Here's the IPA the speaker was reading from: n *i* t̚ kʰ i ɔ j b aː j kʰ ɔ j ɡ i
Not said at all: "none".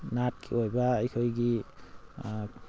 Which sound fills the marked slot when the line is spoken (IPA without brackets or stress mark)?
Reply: a